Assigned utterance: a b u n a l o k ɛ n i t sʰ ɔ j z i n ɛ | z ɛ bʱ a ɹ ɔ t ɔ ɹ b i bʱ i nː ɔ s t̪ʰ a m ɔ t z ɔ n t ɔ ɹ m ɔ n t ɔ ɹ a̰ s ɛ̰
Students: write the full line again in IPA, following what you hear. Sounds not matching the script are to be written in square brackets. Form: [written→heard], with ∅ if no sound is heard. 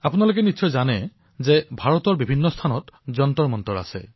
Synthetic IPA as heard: a [b→p] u n a l o k ɛ n i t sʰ ɔ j z [i→a] n ɛ | z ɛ bʱ a ɹ ɔ t ɔ ɹ b i bʱ i nː ɔ s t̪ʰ a [m→n] ɔ t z ɔ n t ɔ ɹ m ɔ n t ɔ ɹ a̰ s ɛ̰